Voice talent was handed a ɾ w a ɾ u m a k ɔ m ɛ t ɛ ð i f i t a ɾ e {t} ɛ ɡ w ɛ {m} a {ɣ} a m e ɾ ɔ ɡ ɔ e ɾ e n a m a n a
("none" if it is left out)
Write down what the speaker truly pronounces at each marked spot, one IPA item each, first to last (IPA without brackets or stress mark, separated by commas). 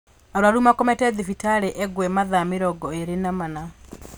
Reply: ʔ, m, ð